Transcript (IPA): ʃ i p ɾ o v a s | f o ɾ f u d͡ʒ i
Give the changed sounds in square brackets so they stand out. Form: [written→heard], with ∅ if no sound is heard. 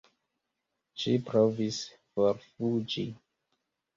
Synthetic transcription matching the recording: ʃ i p ɾ o v [a→i] s | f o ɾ f u d͡ʒ i